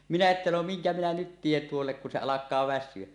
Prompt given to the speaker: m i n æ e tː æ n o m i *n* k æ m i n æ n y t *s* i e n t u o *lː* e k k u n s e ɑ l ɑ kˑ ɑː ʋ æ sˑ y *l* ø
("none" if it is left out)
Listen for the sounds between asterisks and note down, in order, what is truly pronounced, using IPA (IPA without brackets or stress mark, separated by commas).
ŋ, t, lː, none